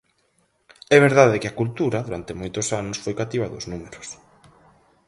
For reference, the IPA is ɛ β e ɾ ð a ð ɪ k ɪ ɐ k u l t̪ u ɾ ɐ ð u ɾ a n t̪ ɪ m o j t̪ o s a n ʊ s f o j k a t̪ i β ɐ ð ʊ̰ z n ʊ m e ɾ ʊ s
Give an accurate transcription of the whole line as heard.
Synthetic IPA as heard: ɛ β e ɾ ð a ð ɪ k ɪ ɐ k u l t̪ u ɾ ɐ ð u ɾ a n t̪ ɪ m o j t̪ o s a n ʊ s f o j k a t̪ i β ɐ ð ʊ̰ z n u m e ɾ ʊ s